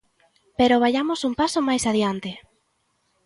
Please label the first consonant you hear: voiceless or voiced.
voiceless